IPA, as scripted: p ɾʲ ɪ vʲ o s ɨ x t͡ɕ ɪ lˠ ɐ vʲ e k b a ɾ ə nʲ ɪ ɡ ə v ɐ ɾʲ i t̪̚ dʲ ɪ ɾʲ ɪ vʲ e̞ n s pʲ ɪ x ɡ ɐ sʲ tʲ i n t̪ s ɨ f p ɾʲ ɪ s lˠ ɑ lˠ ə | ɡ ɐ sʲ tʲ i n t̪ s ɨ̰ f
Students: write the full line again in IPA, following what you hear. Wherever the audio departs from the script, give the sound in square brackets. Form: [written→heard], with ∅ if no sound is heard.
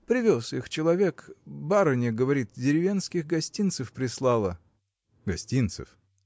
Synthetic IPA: p ɾʲ ɪ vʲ o s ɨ x t͡ɕ ɪ lˠ ɐ vʲ e k b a ɾ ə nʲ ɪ ɡ ə v ɐ ɾʲ i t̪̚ dʲ ɪ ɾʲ ɪ vʲ e̞ n s [pʲ→kʲ] ɪ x ɡ ɐ sʲ tʲ i n t̪ s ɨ f p ɾʲ ɪ s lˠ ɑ lˠ ə | ɡ ɐ sʲ tʲ i n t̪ s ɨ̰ f